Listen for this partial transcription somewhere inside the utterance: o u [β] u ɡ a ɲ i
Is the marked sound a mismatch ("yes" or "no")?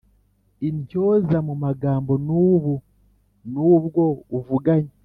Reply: yes